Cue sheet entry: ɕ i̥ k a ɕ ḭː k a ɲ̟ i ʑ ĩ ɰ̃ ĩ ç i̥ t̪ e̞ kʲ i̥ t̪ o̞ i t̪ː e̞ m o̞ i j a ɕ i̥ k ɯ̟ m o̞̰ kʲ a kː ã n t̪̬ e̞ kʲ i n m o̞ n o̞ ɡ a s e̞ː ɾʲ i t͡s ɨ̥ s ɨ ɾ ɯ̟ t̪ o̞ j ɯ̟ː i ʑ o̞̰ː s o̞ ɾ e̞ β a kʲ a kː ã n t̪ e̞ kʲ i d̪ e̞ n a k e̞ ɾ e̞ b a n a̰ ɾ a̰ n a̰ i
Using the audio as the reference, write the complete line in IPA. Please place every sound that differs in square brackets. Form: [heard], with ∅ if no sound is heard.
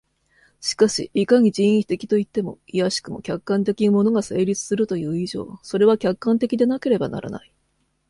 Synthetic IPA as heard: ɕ i̥ k a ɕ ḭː k a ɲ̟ i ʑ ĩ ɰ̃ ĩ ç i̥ t̪ e̞ kʲ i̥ t̪ o̞ i t̪ː e̞ m o̞ i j a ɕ i̥ k ɯ̟ m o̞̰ kʲ a kː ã n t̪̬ e̞ kʲ i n m o̞ n o̞ ɡ a s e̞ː ɾʲ i t͡s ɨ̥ s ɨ ɾ ɯ̟ t̪ o̞ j ɯ̟ː i ʑ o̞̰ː s o̞ ɾ e̞ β a kʲ a kː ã n t̪ e̞ kʲ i d̪ e̞ n a k e̞ ɾ e̞ b a n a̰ ɾ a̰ n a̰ i